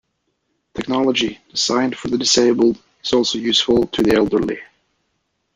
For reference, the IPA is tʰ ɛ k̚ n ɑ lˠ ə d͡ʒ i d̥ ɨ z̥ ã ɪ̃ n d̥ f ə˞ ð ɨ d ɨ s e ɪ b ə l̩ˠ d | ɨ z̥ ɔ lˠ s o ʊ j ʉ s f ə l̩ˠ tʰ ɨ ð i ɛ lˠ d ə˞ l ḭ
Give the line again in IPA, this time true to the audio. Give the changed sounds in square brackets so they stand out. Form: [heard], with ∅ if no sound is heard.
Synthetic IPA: tʰ ɛ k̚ n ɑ lˠ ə d͡ʒ i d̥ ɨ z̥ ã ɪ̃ n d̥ f ə˞ ð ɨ d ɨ s e ɪ b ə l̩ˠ d | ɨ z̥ ɔ lˠ s o ʊ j ʉ s f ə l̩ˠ tʰ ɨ ð i ɛ lˠ d ə˞ l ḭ